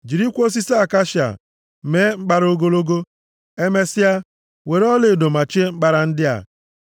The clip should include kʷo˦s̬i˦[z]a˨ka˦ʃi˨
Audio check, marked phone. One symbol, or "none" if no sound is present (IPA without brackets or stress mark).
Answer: s